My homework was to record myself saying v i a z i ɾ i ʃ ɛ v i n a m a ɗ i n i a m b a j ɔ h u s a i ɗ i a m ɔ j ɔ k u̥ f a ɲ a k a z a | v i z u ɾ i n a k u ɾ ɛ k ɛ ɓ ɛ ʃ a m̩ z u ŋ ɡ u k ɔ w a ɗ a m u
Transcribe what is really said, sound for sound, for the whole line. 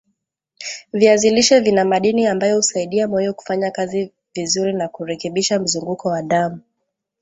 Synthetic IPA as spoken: v i a z i l i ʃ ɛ v i n a m a ɗ i n i a m b a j ɔ h u s a i ɗ i a m ɔ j ɔ k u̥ f a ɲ a k a z i | v i z u ɾ i n a k u ɾ ɛ k ɛ ɓ i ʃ a m̩ z u ŋ ɡ u k ɔ w a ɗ a m u